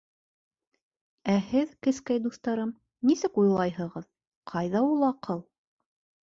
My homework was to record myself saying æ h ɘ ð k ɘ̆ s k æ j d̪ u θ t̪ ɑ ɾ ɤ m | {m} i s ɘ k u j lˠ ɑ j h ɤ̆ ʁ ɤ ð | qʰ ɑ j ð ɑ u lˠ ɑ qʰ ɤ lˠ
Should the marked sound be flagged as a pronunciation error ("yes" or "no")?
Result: yes